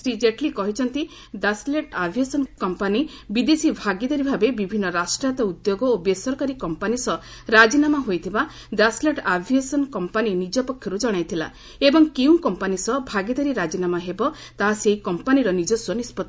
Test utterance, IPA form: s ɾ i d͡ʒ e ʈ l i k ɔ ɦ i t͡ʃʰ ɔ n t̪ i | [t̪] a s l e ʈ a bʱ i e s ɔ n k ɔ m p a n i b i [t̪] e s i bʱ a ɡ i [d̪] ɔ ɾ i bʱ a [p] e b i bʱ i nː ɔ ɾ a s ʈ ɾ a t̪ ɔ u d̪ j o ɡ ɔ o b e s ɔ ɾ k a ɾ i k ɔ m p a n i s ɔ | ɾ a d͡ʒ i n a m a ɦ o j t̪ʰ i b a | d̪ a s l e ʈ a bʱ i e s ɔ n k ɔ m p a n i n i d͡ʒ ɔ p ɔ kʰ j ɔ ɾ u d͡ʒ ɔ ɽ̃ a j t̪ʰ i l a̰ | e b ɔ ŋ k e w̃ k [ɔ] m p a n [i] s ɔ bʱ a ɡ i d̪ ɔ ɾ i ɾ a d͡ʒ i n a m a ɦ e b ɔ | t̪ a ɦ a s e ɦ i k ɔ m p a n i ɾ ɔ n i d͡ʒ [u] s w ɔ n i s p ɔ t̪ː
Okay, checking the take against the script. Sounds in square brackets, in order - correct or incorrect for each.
incorrect: d̪, incorrect: d̪, correct, incorrect: b, correct, correct, incorrect: ɔ

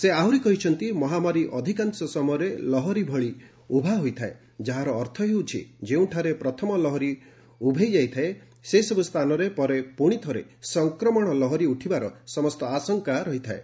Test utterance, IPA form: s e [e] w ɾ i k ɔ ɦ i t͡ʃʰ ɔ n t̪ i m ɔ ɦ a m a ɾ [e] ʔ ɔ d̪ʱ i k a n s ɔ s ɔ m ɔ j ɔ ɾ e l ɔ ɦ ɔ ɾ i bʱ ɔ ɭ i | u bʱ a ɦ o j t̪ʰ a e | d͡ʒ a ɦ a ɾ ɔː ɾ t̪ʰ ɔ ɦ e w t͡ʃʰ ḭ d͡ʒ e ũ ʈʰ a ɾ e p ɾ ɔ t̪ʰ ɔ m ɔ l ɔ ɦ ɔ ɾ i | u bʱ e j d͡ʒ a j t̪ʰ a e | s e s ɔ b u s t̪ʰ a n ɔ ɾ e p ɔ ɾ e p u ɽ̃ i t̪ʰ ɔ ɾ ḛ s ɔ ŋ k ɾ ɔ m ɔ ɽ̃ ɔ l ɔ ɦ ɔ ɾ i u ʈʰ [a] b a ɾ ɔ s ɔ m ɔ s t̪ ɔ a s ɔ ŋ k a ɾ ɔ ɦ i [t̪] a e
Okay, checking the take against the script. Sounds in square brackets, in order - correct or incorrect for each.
incorrect: a, incorrect: i, incorrect: i, incorrect: t̪ʰ

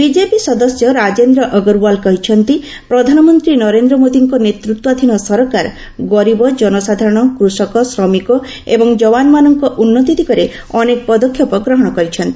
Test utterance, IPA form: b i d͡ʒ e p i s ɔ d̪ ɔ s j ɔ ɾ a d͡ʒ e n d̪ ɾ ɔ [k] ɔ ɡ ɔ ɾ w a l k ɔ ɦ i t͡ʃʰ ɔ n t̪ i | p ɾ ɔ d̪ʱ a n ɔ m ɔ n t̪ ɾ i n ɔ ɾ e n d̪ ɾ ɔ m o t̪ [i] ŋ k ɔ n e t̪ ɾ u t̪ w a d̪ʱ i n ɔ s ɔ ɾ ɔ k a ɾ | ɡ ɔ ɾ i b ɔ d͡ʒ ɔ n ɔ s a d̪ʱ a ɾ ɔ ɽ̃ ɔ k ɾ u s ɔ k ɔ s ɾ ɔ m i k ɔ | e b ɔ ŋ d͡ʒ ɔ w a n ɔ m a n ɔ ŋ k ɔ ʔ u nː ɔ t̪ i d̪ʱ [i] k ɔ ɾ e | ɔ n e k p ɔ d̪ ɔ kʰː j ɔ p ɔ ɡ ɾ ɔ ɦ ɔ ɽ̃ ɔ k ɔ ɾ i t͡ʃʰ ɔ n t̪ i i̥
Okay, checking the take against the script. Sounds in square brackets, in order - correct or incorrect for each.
incorrect: ʔ, correct, correct

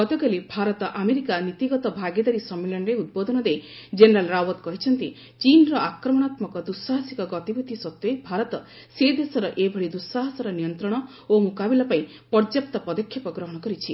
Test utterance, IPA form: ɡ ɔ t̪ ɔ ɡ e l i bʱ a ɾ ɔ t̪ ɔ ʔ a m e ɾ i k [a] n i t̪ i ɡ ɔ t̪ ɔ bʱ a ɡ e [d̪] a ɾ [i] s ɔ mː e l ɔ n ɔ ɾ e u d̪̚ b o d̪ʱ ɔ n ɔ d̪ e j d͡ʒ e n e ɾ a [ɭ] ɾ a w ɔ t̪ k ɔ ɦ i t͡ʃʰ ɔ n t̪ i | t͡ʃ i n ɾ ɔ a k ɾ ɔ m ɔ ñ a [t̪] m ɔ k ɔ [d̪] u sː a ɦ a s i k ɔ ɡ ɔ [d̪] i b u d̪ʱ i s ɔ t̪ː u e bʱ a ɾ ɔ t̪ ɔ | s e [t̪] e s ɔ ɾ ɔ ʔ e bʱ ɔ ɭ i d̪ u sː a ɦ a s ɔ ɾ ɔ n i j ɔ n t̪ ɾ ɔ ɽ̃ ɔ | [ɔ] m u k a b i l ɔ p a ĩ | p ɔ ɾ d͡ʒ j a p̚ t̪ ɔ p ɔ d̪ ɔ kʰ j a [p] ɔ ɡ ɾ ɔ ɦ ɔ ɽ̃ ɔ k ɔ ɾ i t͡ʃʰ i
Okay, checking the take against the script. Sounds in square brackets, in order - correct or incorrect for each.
correct, correct, correct, incorrect: l, correct, correct, incorrect: t̪, incorrect: d̪, incorrect: o, correct

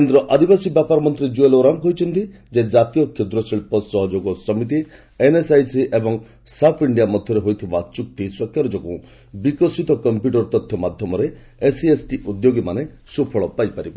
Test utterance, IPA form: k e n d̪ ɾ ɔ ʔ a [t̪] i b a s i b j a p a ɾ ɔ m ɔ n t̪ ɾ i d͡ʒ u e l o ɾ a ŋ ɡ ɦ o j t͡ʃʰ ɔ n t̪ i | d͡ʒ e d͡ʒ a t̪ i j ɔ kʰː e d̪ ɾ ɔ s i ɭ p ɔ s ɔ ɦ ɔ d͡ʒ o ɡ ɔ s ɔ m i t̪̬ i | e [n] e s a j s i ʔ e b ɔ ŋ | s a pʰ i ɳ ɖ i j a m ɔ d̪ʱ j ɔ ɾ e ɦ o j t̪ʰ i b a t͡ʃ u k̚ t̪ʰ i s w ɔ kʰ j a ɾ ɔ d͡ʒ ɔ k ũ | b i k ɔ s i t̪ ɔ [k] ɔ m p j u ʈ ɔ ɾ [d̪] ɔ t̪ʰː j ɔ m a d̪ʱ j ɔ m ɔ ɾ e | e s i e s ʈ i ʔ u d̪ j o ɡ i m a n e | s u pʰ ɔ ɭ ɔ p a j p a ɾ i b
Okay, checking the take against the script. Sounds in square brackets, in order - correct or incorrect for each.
incorrect: d̪, correct, correct, incorrect: t̪

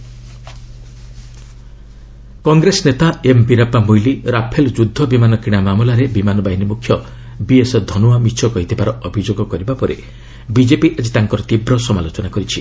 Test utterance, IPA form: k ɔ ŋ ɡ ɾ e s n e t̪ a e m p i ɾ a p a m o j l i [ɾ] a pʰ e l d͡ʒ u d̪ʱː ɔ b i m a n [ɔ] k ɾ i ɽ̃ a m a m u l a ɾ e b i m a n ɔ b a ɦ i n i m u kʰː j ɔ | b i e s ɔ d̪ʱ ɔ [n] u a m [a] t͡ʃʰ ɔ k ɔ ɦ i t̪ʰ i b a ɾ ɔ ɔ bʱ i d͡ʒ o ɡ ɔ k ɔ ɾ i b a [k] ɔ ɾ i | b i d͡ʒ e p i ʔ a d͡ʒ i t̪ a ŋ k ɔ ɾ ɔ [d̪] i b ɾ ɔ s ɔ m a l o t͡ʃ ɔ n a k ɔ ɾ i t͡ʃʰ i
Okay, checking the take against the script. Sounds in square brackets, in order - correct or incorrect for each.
correct, correct, correct, incorrect: i, incorrect: p, incorrect: t̪

